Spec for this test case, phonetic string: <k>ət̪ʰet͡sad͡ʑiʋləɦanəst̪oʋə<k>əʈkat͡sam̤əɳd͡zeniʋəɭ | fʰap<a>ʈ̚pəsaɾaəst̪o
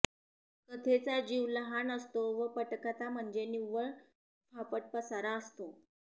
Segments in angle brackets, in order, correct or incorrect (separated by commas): correct, incorrect, incorrect